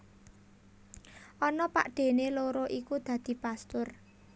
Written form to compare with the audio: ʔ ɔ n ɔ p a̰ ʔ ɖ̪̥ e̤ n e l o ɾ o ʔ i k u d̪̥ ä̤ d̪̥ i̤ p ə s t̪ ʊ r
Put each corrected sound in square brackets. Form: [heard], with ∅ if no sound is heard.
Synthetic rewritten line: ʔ ɔ n ɔ p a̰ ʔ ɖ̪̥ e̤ n e l o ɾ o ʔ i k u d̪̥ ä̤ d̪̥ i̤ p [a] s t̪ ʊ r